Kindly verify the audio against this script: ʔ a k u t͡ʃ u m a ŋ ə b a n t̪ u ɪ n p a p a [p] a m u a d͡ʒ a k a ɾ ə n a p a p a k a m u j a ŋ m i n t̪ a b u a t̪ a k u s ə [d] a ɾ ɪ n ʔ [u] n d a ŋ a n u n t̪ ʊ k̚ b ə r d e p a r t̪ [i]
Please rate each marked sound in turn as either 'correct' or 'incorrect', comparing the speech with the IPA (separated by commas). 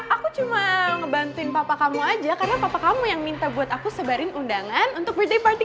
incorrect, incorrect, correct, correct